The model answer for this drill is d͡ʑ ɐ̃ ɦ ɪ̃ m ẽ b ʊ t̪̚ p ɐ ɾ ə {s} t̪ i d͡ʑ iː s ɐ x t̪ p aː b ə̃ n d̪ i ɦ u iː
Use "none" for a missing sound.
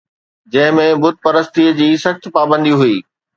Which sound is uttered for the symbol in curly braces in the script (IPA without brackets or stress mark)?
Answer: s